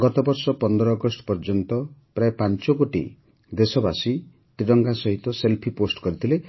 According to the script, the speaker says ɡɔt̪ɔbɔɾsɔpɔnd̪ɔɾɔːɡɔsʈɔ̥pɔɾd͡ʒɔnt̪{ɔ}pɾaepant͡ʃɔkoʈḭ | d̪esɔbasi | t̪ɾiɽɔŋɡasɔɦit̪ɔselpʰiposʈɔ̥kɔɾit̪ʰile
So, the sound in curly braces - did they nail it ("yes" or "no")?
yes